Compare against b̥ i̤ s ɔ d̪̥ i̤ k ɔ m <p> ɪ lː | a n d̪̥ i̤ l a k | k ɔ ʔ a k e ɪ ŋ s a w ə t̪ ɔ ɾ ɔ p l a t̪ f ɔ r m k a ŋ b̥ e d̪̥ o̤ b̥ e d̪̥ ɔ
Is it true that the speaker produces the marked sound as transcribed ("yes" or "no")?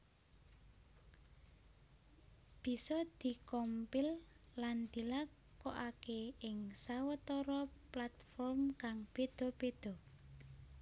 yes